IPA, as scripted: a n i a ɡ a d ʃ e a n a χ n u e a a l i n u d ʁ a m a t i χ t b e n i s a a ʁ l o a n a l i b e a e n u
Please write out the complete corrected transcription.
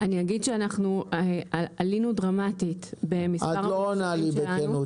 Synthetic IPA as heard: a n i a ɡ i d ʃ e a n a χ n u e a a l i n u d ʁ a m a t i t b e m i s a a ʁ l o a n a l i b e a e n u